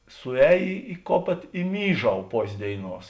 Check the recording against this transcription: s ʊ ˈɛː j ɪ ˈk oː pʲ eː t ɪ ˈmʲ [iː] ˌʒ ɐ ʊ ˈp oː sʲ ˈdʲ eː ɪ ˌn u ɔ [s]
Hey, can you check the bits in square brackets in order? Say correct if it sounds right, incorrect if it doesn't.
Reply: correct, correct

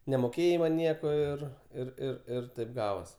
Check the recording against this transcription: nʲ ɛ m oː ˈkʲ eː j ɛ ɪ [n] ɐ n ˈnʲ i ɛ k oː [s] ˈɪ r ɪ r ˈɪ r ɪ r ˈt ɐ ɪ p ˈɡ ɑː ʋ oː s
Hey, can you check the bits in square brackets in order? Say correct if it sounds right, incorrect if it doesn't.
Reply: incorrect: m, incorrect: none

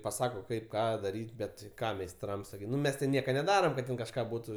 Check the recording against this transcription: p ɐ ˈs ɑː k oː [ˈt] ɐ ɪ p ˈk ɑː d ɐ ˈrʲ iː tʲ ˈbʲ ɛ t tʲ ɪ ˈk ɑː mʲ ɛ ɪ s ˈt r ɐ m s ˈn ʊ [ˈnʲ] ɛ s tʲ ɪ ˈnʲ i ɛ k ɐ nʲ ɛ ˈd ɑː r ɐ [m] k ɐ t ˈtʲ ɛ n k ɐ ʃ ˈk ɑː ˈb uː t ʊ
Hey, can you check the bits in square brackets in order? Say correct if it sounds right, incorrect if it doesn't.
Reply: incorrect: k, incorrect: mʲ, correct

